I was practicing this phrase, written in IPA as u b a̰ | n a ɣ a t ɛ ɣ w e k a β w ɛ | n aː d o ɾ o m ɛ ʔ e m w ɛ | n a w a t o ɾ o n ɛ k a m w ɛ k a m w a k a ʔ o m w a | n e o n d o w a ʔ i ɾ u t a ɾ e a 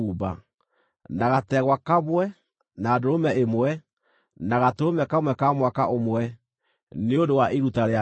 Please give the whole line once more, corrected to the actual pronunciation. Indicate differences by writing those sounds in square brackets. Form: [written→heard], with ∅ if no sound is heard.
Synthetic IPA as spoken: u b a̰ | n a ɣ a t ɛ ɣ w [e→a] k a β w ɛ | n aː d o ɾ o m ɛ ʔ e m w ɛ | n a [w→ɣ] a t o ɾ o [n→m] ɛ k a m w ɛ k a m w a k a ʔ o m w [a→ɛ] | n e o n d o w a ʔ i ɾ u t a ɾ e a